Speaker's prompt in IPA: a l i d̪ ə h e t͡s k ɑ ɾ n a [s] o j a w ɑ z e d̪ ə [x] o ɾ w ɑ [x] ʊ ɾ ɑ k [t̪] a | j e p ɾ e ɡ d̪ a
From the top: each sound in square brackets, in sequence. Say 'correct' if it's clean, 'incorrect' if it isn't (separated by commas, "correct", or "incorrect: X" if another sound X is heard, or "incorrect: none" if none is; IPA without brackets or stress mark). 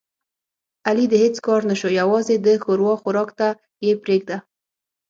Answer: incorrect: ʃ, correct, correct, correct